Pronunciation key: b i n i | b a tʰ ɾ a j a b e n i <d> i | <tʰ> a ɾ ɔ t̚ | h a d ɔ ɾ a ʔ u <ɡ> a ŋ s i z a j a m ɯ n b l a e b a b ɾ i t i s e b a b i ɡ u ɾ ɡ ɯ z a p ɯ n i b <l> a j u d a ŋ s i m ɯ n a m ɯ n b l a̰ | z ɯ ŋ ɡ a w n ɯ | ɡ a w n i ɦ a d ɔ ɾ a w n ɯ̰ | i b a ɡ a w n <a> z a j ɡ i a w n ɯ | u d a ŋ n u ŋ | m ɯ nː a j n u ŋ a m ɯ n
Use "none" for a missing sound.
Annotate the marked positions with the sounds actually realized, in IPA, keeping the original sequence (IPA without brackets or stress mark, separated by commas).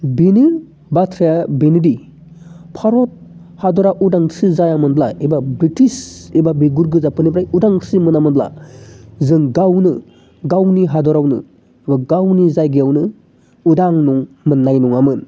d, pʰ, d, ɾ, i